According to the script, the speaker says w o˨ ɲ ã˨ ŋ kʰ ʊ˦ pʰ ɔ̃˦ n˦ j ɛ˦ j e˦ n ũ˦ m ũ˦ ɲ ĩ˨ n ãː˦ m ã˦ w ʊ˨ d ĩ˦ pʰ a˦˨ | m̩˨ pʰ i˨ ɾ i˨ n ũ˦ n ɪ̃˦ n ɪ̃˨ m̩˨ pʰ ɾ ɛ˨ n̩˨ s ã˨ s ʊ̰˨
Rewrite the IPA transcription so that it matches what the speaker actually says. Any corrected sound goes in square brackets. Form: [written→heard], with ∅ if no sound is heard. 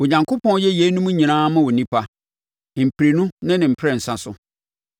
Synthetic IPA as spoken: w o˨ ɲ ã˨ ŋ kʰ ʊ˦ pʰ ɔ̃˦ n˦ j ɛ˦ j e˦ n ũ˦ m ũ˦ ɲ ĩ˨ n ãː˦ m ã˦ w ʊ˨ [d→n] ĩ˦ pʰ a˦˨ | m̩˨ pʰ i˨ ɾ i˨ n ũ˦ n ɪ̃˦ n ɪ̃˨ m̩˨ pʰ ɾ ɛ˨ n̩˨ s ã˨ s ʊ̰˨

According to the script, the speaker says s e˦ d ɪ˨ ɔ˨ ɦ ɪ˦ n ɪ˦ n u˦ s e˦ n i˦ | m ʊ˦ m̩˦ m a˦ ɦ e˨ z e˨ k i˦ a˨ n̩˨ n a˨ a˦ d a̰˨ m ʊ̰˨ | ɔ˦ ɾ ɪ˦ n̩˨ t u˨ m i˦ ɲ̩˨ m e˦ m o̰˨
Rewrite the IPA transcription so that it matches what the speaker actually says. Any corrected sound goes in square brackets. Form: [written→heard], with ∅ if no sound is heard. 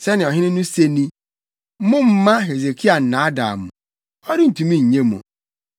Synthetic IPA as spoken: s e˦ [d→n] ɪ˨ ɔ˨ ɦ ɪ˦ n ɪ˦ n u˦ s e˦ n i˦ | m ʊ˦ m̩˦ m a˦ ɦ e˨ z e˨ k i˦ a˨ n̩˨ n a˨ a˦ d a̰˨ m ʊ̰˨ | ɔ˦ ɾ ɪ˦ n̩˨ t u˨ m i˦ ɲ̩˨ [m→ɲ] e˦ m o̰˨

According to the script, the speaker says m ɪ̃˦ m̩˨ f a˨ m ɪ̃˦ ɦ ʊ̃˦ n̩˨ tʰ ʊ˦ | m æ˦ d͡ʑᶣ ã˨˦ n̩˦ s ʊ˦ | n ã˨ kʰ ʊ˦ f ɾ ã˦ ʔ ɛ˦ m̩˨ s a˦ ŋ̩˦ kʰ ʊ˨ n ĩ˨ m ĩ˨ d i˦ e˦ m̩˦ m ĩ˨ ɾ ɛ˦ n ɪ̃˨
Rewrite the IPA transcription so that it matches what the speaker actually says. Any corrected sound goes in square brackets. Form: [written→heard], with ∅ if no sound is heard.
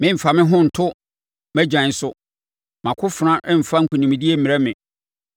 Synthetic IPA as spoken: m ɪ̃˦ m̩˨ f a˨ m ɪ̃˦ ɦ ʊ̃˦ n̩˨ tʰ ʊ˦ | m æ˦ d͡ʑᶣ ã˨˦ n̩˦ s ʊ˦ | [n→m] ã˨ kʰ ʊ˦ f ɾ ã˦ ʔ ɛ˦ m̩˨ [s→f] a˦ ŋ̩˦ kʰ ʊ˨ n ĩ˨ m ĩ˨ d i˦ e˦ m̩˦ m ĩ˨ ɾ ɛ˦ [n→m] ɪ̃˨

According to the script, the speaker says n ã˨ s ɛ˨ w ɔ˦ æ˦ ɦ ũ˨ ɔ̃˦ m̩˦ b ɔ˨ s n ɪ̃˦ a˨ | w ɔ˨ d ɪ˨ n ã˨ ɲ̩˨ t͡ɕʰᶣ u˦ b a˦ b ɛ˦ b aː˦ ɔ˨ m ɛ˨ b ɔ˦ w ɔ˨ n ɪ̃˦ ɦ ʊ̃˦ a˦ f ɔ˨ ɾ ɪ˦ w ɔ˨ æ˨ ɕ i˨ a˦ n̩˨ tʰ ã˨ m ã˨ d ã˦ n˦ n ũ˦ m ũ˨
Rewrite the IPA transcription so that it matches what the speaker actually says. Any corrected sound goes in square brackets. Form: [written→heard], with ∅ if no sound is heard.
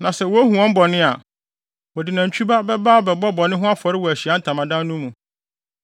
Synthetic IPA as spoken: n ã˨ s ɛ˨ w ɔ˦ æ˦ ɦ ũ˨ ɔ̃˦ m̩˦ b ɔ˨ [s→∅] n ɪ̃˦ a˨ | w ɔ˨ d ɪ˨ n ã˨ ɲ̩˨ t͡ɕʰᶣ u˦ b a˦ b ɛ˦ b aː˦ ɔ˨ [m→b] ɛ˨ b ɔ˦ [w→b] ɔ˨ n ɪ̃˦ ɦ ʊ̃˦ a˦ f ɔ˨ ɾ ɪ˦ w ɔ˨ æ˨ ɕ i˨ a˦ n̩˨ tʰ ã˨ m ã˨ d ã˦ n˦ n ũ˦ m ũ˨

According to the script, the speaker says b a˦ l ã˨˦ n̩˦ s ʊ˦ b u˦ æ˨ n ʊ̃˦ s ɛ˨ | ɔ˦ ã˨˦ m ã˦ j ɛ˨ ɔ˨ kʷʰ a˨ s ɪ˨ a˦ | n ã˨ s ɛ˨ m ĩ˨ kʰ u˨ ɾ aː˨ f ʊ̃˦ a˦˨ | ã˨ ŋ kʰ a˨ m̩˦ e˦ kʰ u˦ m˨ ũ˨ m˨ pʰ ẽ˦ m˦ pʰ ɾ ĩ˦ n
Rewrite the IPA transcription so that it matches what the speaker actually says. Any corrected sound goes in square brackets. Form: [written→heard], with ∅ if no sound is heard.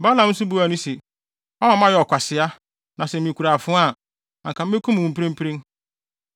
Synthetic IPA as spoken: b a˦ l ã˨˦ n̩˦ s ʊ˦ b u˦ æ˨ n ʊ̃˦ s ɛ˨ | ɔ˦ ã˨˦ m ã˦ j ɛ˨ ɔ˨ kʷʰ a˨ s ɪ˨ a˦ | n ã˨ s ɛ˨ m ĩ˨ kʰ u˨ ɾ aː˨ f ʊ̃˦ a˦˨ | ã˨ ŋ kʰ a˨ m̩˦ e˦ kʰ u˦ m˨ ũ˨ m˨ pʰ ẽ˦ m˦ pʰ ɾ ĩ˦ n

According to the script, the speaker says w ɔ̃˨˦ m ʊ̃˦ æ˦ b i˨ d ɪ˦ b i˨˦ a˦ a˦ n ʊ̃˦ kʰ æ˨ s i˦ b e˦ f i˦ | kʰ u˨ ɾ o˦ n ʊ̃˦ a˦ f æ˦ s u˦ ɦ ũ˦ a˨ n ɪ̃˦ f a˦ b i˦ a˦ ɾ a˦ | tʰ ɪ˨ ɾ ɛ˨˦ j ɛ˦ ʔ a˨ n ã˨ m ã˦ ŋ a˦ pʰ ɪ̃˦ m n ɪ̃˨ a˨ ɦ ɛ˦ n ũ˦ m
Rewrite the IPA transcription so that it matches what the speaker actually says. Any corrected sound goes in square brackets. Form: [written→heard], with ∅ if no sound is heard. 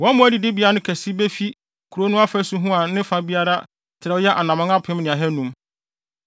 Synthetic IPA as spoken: w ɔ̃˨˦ m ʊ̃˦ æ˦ [b→d] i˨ d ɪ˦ b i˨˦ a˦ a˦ n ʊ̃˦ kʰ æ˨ s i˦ b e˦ f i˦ | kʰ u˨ ɾ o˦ n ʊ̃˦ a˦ f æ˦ s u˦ ɦ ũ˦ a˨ n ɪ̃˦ f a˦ b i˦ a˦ ɾ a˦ | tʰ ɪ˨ ɾ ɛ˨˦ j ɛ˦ ʔ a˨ n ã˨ m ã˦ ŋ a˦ pʰ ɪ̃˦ m n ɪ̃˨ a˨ ɦ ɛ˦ n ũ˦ m

